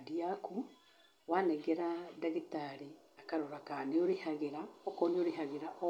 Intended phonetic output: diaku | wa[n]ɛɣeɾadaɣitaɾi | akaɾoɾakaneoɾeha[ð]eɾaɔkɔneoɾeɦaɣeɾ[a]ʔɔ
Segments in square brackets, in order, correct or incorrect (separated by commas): correct, incorrect, correct